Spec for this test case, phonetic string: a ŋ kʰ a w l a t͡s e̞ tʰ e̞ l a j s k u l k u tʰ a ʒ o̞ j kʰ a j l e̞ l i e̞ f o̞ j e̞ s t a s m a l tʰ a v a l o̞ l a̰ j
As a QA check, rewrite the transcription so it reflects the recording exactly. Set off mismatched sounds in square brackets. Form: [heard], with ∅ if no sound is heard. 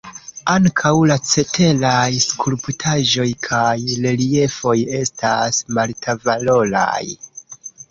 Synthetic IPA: a ŋ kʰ a w l a t͡s e̞ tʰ e̞ l a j s k u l [p] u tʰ a ʒ o̞ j kʰ a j l e̞ l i e̞ f o̞ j e̞ s t a s m a l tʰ a v a l o̞ l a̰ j

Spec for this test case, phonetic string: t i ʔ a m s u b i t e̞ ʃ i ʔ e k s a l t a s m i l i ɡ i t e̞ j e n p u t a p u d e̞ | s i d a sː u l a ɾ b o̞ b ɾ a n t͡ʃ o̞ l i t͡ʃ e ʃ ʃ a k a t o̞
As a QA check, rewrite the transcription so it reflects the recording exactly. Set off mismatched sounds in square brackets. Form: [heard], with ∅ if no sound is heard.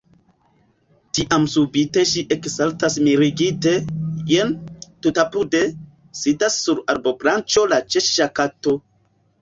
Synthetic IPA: t i ʔ a m s u b i t e̞ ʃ i ʔ e k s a l t a s m i [ɾ] i ɡ i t e̞ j e n [t] u t a p u d e̞ | s i d a sː u [ɾ] a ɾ b o̞ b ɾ a n t͡ʃ o̞ l [a] t͡ʃ e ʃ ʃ a k a t o̞

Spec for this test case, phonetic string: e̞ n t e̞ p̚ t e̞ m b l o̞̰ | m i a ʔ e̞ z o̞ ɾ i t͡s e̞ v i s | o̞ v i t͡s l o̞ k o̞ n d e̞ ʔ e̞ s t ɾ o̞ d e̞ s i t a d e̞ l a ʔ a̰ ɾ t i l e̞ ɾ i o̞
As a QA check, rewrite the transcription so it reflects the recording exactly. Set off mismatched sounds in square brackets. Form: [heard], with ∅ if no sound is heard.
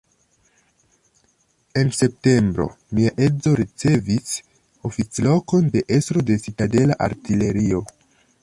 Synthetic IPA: e̞ n [s] e̞ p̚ t e̞ m b [ɾ] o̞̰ | m i a ʔ e̞ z o̞ ɾ i t͡s e̞ v i s | o̞ [f] i t͡s l o̞ k o̞ n d e̞ ʔ e̞ s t ɾ o̞ d e̞ s i t a d e̞ l a ʔ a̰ ɾ t i l e̞ ɾ i o̞

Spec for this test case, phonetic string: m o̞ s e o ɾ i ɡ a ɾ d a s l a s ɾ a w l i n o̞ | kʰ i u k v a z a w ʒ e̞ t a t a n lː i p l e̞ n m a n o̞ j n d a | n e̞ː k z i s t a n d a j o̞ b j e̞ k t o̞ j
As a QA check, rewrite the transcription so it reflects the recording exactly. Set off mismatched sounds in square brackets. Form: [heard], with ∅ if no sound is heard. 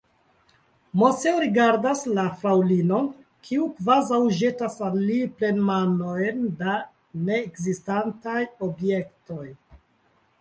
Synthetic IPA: m o̞ s e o ɾ i ɡ a ɾ d a s l a [f] ɾ a w l i n o̞ | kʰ i u k v a z a w ʒ e̞ t a [s] a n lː i p l e̞ n m a n o̞ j n d a | n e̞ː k z i s t a n [t] a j o̞ b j e̞ k t o̞ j

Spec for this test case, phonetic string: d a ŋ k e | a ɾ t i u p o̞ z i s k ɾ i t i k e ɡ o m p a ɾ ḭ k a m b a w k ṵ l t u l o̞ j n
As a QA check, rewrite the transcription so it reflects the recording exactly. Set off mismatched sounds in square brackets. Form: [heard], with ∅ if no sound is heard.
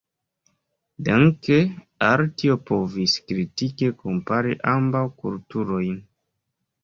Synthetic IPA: d a ŋ k e | a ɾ t i [o] p o̞ [v] i s k ɾ i t i k e [k] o m p a ɾ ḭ [ʔ] a m b a w k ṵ l t u [ɾ] o̞ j n

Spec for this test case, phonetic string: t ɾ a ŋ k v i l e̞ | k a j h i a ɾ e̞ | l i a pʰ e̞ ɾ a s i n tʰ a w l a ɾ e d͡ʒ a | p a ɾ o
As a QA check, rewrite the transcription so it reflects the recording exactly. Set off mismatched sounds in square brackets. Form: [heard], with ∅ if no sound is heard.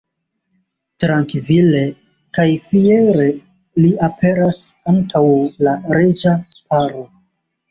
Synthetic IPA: t ɾ a ŋ k v i l e̞ | k a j [f] i [e] ɾ e̞ | l i a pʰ e̞ ɾ a s [a] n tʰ a w l a ɾ e d͡ʒ a | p a ɾ o

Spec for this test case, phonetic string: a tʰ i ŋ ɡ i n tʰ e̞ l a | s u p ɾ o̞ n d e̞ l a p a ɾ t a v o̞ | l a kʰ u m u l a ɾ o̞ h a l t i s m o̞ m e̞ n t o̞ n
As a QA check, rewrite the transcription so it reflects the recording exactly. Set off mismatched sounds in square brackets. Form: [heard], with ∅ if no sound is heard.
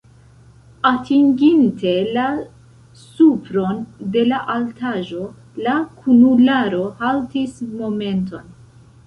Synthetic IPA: a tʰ i ŋ ɡ i n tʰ e̞ l a | s u p ɾ o̞ n d e̞ l a [ʔ] a [l] t a [ʒ] o̞ | l a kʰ u [n] u l a ɾ o̞ h a l t i s m o̞ m e̞ n t o̞ n

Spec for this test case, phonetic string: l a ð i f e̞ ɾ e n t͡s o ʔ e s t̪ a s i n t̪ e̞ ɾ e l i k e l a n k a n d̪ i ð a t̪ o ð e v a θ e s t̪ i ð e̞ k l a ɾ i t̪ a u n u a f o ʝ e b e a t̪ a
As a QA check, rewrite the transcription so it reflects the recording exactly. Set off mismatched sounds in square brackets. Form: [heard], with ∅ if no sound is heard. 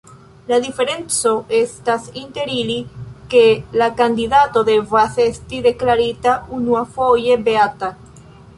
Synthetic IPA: l a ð i f e̞ ɾ e n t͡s o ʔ e s t̪ a s i n t̪ e̞ ɾ [i] l i k e l a [∅] k a n d̪ i ð a t̪ o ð e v a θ e s t̪ i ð e̞ k l a ɾ i t̪ a u n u a f o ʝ e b e a t̪ a

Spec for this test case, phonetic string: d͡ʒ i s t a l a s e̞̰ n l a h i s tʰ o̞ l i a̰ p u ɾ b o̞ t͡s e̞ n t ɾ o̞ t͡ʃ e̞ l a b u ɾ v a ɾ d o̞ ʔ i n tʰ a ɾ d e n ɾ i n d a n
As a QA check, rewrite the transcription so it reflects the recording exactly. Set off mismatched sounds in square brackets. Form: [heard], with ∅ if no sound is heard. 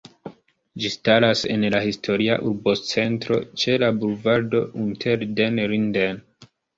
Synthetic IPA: d͡ʒ i s t a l a s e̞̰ n l a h i s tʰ o̞ [ɾ] i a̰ [ʔ] u ɾ b o̞ t͡s e̞ n t ɾ o̞ t͡ʃ e̞ l a b u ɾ v a ɾ d o̞ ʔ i n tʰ [e] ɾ d e n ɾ i n d [e] n

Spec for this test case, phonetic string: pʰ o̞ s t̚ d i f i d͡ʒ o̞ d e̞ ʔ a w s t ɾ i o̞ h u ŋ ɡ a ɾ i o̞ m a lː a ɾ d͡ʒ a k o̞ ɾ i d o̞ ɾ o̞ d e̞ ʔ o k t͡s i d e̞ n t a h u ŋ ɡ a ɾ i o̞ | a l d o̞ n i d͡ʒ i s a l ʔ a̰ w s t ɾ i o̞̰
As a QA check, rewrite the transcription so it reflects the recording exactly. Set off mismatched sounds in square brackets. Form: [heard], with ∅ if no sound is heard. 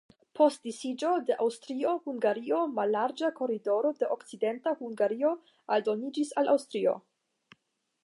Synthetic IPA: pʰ o̞ s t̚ d i [s] i d͡ʒ o̞ d e̞ ʔ a w s t ɾ i o̞ h u ŋ ɡ a ɾ i o̞ m a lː a ɾ d͡ʒ a k o̞ ɾ i d o̞ ɾ o̞ d e̞ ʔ o k t͡s i d e̞ n t a h u ŋ ɡ a ɾ i o̞ | a l d o̞ n i d͡ʒ i s a l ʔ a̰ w s t ɾ i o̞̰

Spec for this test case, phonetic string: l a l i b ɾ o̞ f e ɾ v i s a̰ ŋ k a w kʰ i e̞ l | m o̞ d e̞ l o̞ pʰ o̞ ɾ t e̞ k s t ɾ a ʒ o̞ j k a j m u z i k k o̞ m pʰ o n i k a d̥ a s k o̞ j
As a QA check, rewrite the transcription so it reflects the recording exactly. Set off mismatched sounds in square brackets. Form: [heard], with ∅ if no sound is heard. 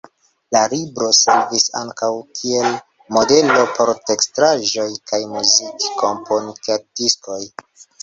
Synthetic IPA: l a l i b ɾ o̞ [s] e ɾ v i s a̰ ŋ k a w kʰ i e̞ l | m o̞ d e̞ l o̞ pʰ o̞ ɾ t e̞ k s t ɾ a ʒ o̞ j k a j m u z i k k o̞ m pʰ o n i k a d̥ [i] s k o̞ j

